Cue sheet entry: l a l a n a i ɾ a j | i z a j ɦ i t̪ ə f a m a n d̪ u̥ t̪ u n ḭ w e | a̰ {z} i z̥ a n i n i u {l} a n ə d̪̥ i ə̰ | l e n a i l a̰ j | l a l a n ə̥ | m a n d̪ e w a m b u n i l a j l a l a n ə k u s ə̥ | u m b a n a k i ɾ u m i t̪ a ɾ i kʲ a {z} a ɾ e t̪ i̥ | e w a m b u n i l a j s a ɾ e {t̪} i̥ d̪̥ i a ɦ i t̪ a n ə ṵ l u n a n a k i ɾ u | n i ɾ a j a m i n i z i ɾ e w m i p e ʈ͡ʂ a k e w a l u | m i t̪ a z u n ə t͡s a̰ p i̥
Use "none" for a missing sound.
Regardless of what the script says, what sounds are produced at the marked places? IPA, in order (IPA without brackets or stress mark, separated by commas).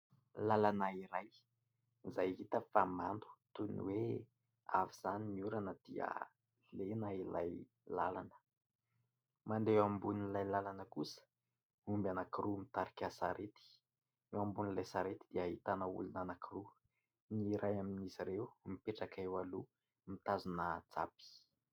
v, ɾ, s, t̪